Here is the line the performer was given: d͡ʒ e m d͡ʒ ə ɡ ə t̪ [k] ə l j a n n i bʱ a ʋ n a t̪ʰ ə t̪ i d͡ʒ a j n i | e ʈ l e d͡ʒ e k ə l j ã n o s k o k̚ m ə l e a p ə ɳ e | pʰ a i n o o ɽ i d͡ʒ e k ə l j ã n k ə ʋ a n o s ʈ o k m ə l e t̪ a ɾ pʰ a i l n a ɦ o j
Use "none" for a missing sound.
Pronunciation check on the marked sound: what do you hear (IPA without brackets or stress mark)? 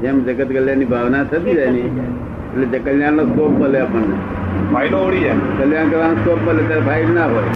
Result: k